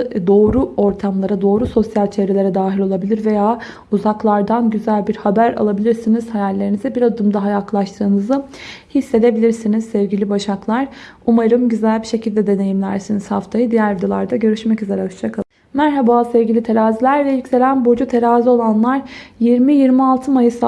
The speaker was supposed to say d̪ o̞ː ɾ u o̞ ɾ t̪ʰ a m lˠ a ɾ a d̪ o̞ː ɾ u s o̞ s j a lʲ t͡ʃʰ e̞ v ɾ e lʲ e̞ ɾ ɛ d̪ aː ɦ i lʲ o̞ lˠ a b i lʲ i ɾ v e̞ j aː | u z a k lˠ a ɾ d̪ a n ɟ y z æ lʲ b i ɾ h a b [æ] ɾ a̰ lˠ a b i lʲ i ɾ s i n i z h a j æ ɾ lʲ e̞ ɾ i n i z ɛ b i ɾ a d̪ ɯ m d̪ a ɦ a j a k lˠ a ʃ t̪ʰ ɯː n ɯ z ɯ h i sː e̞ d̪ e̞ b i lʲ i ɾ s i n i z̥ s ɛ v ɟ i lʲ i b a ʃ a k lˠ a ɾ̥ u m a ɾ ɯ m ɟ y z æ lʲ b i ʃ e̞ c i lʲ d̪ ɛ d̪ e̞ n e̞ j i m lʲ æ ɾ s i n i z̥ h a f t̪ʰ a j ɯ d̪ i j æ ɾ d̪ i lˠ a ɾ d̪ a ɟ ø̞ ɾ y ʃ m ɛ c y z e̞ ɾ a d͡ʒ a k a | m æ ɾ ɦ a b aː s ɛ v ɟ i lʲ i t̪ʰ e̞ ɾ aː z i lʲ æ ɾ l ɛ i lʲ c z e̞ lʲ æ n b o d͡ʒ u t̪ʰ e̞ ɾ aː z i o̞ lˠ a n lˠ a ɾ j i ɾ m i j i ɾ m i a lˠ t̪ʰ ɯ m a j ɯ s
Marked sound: correct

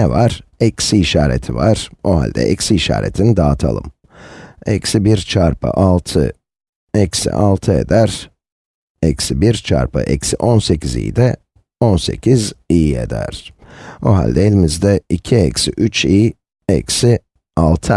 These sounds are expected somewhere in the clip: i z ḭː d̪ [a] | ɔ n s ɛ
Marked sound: incorrect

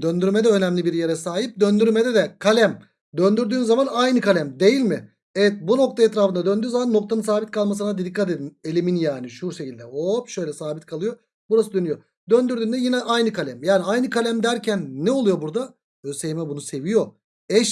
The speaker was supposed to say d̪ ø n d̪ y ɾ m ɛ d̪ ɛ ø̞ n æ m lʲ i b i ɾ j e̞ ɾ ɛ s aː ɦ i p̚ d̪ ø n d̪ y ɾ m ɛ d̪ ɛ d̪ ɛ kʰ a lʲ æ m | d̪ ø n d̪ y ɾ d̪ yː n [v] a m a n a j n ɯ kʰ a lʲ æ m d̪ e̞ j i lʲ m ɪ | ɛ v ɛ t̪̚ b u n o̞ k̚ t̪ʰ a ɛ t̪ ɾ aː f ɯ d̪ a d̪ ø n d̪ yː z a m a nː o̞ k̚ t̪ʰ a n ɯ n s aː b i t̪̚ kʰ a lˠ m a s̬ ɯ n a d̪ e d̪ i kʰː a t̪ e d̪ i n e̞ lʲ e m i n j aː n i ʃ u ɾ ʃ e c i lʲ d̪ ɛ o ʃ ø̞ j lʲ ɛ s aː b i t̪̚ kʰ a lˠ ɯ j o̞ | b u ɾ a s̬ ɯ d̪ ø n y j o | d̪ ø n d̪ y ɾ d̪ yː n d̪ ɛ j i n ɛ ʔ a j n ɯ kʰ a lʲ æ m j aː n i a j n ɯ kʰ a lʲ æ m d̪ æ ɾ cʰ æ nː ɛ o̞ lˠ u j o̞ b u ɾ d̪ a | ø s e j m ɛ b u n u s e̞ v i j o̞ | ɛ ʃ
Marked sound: incorrect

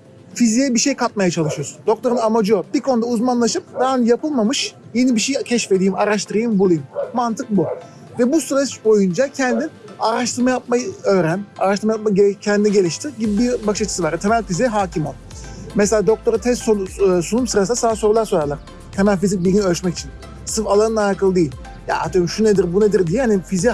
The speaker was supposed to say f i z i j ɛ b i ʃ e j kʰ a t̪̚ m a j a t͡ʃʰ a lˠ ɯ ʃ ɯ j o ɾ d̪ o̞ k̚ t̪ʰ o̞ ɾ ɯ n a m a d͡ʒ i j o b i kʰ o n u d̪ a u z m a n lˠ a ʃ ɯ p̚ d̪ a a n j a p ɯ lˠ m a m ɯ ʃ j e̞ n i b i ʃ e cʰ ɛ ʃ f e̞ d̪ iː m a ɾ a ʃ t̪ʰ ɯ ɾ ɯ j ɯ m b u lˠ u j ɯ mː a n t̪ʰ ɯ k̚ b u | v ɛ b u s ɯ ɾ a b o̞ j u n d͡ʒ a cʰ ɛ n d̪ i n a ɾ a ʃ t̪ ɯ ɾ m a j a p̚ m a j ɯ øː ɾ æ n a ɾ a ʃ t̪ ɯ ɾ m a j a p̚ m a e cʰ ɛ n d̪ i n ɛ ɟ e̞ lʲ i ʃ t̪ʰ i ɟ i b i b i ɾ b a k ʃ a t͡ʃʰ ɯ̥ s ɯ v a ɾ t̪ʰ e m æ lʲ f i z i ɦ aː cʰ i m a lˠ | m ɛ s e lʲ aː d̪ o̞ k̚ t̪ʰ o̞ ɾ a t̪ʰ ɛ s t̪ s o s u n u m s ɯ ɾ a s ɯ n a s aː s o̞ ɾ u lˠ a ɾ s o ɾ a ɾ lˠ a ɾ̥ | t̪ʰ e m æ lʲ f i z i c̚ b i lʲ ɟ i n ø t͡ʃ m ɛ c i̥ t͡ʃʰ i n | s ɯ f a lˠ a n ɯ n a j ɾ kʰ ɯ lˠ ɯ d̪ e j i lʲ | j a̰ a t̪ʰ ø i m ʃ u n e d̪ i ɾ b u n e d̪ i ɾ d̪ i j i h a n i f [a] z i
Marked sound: incorrect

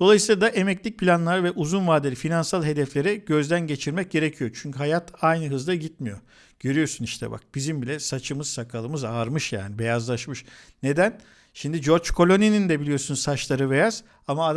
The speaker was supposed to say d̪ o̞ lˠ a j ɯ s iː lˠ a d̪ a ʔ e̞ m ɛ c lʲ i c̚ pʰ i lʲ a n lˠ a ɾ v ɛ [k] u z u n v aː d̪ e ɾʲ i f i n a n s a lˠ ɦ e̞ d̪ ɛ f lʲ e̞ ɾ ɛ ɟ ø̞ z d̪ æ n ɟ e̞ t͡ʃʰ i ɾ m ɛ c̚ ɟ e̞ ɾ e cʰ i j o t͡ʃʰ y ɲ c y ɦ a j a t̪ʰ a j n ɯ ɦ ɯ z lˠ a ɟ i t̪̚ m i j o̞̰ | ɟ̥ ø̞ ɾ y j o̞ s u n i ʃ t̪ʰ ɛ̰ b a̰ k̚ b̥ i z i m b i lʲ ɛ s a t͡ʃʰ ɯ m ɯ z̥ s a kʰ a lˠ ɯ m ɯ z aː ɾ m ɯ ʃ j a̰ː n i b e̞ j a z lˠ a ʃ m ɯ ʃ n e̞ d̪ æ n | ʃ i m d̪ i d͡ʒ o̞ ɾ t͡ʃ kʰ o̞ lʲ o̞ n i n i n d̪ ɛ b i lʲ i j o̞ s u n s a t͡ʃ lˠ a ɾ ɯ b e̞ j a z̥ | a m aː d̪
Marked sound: incorrect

